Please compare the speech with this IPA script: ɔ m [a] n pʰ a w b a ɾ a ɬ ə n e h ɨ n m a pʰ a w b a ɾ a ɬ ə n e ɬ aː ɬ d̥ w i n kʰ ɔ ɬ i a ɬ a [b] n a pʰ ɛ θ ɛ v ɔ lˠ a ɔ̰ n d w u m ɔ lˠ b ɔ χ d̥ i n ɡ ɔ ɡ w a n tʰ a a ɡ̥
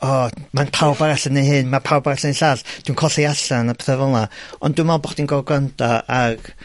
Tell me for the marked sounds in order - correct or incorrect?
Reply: correct, incorrect

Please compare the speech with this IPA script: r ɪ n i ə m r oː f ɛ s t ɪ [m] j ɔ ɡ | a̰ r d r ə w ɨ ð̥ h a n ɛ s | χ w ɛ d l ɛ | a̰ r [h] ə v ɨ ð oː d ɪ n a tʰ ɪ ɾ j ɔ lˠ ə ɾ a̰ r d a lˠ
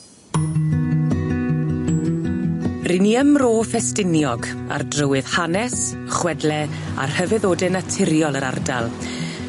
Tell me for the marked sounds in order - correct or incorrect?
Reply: incorrect, correct

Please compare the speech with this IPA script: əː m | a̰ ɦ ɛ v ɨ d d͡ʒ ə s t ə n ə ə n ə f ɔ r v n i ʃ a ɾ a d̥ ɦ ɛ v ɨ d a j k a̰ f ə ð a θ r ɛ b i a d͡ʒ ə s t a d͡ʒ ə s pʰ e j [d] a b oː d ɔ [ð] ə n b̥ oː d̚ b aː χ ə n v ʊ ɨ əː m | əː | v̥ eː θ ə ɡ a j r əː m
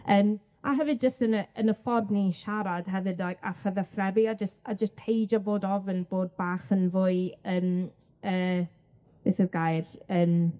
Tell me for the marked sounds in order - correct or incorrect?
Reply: incorrect, incorrect

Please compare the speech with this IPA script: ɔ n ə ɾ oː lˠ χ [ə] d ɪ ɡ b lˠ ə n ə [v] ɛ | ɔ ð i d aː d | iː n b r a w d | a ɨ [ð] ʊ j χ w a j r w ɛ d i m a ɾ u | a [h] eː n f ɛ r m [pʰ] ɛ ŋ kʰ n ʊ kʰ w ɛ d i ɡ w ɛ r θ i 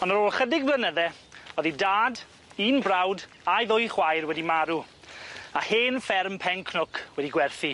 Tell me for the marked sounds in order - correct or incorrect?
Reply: correct, incorrect, correct, correct, correct

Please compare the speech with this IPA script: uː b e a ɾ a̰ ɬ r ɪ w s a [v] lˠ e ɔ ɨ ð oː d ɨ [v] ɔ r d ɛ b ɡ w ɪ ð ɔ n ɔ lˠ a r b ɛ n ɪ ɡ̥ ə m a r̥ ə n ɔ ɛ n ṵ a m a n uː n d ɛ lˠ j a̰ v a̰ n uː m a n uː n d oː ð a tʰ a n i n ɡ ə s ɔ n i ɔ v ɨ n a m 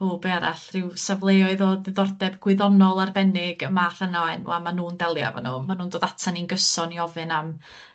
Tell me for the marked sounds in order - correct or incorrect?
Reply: correct, incorrect

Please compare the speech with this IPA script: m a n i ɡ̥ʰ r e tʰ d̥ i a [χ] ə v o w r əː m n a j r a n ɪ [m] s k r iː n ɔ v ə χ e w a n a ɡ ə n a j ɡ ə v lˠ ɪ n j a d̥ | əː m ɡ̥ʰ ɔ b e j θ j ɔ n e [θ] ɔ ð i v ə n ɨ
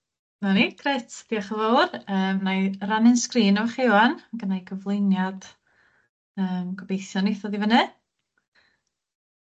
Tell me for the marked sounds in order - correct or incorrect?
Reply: correct, incorrect, correct

